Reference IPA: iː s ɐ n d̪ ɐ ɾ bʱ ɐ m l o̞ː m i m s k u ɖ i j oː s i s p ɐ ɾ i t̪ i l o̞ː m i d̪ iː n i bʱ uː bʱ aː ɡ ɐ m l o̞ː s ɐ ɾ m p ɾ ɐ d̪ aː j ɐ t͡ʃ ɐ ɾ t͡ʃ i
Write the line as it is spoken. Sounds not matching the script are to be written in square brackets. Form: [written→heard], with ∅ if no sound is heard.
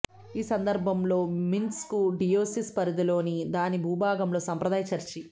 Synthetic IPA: iː s ɐ n d̪ ɐ ɾ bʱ ɐ m l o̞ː m i [m→n] s k u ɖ i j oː s i s p ɐ ɾ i [t̪→d̪] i l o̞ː [m→n] i d̪ [iː→aː] n i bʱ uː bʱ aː ɡ ɐ m l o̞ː s ɐ [ɾ→∅] m p ɾ ɐ d̪ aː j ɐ t͡ʃ ɐ ɾ t͡ʃ i